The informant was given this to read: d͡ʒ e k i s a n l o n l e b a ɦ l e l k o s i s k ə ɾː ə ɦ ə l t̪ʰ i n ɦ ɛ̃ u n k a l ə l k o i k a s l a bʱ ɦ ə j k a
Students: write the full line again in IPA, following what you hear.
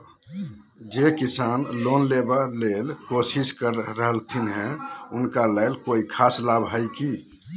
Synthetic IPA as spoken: d͡ʒ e k i s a n l o n l e b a l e l k o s i s k ə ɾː ə ɦ ə l t̪ʰ i n ɦ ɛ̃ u n k a l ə l k o i kʰ a s l a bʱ ɦ ə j k i